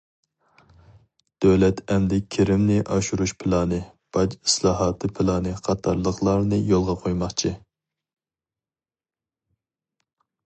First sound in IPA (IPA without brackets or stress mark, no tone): d̪̥